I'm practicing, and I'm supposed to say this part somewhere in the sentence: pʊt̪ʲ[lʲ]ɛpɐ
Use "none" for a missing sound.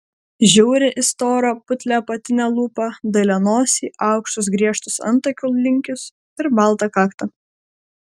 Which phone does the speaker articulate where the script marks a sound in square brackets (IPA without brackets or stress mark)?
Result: lʲ